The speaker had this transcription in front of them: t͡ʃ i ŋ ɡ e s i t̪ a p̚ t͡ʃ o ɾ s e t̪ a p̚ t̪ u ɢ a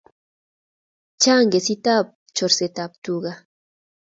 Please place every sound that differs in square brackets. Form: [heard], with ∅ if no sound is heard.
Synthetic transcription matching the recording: t͡ʃ [a] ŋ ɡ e s i t̪ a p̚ t͡ʃ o ɾ s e t̪ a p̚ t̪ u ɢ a